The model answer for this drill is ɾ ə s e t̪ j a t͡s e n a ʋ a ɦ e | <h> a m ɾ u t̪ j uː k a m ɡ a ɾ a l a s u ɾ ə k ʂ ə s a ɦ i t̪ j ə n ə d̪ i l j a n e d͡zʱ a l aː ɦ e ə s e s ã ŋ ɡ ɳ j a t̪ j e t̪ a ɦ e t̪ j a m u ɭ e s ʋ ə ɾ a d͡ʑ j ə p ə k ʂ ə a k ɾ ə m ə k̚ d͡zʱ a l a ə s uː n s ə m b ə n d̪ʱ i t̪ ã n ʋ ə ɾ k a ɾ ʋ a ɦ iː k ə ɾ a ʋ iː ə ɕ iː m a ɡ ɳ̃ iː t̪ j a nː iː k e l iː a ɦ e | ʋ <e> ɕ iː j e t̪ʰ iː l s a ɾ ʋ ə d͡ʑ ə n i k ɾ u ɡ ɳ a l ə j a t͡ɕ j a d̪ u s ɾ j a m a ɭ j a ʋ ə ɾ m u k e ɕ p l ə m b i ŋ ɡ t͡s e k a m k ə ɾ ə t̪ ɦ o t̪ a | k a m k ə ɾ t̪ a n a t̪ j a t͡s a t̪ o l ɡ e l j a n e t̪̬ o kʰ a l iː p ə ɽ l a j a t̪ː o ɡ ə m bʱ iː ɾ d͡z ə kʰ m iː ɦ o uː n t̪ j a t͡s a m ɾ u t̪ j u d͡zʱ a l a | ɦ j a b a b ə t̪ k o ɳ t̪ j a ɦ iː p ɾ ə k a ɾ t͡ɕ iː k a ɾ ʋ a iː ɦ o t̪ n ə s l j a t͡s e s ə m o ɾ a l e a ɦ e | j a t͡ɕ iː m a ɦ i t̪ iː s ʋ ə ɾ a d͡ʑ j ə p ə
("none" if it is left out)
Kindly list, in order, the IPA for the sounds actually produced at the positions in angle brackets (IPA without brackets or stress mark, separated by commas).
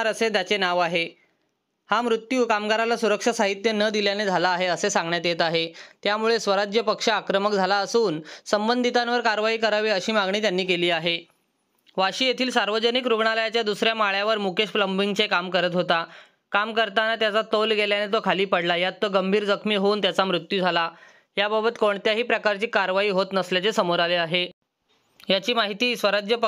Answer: h, a